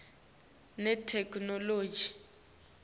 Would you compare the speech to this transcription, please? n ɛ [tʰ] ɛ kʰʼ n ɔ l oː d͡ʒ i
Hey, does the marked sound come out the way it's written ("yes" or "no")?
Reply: yes